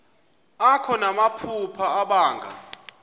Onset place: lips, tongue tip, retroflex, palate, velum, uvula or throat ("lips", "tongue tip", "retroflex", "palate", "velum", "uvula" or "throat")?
velum